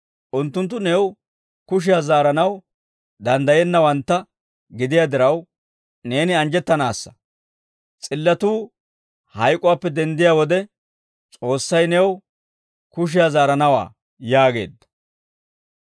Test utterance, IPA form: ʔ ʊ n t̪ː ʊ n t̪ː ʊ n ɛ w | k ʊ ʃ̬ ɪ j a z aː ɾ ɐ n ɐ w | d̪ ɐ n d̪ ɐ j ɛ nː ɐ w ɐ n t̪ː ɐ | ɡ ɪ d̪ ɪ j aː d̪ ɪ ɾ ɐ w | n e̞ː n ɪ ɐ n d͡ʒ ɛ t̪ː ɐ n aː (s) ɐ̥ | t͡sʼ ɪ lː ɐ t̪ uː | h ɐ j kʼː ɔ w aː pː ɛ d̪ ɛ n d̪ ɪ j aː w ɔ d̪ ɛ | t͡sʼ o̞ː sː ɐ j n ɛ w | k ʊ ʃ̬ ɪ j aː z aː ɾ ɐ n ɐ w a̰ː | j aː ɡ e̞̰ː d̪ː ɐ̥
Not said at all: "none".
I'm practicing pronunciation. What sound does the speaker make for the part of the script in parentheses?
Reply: sː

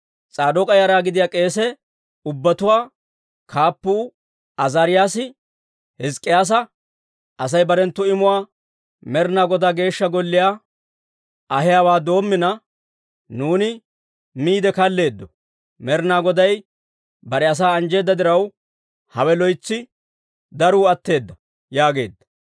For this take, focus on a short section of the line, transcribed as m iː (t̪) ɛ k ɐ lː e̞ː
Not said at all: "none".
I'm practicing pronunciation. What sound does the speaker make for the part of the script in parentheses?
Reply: d̪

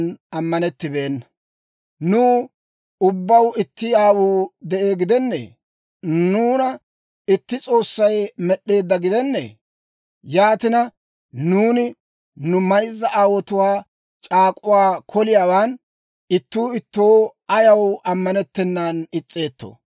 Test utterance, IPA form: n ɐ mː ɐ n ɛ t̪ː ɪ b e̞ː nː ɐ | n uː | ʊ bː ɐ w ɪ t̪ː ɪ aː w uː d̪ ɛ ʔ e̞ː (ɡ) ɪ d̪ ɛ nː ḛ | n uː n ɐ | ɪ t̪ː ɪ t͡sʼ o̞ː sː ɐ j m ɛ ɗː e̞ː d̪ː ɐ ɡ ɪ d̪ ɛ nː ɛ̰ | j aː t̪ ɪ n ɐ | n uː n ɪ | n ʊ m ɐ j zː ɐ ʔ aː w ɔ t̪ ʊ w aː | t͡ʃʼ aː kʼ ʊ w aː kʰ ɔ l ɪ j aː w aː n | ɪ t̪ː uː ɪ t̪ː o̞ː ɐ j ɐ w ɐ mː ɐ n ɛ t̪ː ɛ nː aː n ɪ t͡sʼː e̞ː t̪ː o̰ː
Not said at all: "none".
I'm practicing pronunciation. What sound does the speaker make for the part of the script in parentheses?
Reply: ɡ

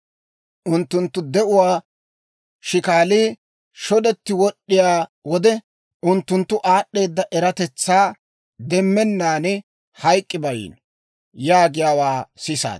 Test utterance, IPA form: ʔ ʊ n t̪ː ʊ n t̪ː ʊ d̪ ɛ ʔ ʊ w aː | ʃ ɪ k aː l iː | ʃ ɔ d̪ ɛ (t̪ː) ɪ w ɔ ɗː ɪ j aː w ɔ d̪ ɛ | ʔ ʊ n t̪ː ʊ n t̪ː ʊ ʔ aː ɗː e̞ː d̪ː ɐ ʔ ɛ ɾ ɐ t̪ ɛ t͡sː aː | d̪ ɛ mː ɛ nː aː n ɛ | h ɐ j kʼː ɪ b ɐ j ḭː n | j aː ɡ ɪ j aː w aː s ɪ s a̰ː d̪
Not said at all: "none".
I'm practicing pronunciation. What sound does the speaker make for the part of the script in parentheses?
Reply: t̪ː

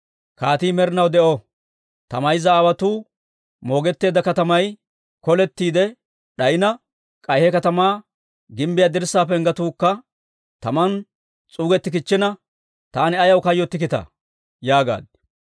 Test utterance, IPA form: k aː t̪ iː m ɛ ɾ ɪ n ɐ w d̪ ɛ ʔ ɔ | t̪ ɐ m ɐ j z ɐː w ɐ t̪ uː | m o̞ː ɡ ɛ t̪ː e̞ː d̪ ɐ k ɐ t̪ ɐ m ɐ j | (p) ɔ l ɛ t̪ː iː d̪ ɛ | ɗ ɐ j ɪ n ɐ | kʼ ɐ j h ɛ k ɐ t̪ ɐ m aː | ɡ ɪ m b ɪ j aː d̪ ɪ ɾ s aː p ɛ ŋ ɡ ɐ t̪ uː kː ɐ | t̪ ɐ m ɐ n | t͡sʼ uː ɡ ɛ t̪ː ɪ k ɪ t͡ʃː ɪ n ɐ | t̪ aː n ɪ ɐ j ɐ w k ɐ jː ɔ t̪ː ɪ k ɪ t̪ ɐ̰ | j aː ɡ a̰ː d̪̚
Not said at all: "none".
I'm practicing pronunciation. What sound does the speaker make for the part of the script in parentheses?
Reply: k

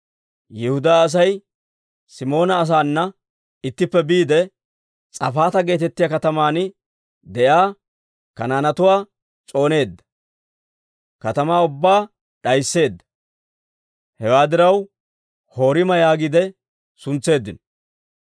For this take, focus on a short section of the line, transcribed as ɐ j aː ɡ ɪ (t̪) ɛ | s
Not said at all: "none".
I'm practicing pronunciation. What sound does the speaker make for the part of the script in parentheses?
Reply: d̪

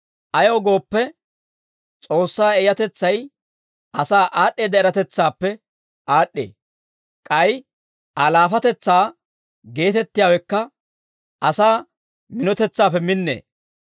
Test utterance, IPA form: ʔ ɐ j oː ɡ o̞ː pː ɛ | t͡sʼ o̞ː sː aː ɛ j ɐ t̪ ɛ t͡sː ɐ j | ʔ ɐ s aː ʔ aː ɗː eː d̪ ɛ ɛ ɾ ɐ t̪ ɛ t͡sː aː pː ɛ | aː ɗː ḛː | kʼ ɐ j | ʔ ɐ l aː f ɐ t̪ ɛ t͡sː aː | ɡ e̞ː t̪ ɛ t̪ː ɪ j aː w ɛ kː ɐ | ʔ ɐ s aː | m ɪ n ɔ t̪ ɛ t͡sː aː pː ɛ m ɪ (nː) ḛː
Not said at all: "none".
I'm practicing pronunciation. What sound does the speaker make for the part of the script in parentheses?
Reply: nː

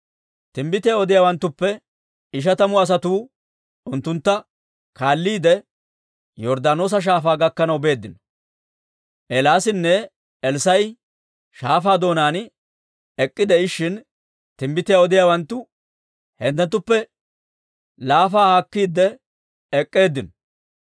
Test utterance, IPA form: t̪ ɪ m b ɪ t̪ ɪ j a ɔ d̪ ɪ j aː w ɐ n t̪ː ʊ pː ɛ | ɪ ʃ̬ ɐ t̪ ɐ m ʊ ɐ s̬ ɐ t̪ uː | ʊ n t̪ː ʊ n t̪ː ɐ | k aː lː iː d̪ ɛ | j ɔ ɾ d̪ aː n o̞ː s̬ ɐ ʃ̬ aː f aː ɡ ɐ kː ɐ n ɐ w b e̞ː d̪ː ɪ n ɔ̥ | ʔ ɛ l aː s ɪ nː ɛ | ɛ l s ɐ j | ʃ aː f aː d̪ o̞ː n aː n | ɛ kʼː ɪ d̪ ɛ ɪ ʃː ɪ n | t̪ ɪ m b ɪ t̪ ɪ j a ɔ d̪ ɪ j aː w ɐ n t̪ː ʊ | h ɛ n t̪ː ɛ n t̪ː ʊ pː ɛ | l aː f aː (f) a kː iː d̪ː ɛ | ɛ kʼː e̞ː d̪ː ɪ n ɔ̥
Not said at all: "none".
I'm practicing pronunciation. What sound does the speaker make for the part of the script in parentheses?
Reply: h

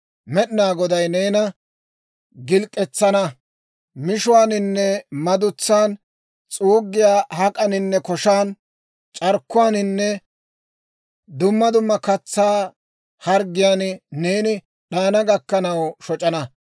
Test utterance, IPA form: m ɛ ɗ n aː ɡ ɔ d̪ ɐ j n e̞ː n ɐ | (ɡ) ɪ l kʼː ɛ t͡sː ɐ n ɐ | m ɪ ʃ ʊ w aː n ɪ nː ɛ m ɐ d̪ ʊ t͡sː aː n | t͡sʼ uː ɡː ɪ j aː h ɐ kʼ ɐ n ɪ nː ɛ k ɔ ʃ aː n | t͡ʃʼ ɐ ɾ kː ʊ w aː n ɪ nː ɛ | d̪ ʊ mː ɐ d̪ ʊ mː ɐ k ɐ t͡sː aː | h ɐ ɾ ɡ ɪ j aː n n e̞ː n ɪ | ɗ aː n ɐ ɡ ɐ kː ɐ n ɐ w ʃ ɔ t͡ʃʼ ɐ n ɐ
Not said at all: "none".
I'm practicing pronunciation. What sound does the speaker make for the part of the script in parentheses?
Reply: ɡ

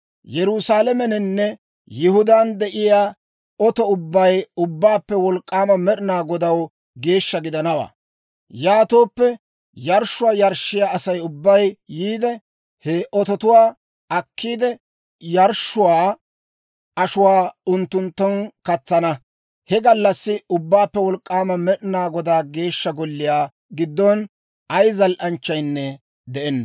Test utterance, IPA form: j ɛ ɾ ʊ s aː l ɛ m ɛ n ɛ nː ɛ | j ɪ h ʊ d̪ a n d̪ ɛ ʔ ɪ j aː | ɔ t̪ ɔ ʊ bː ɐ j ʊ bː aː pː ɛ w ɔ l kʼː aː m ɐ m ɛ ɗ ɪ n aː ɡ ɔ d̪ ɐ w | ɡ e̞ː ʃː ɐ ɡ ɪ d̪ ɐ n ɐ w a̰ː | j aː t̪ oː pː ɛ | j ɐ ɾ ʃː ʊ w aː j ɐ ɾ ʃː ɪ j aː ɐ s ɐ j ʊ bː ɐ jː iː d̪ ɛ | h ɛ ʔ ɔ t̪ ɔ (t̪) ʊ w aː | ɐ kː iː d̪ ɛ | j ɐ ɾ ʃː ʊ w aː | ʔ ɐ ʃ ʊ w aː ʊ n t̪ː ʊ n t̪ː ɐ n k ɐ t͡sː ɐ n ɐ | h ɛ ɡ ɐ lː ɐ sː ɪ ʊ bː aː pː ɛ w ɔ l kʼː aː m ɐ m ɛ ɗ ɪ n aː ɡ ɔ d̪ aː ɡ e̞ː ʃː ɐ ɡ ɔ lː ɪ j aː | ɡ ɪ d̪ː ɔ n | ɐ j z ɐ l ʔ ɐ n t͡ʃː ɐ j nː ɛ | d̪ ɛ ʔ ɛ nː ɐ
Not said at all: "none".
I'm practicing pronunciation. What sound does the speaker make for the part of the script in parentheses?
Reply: t̪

